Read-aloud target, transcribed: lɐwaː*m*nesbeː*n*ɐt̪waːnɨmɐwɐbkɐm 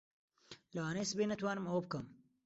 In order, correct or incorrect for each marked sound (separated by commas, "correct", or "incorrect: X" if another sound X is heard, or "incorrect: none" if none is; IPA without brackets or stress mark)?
incorrect: none, correct